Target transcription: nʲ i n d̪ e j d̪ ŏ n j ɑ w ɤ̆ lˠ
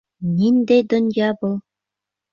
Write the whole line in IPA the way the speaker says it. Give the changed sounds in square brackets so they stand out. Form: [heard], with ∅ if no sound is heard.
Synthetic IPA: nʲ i n d̪ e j d̪ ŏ n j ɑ [b] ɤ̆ lˠ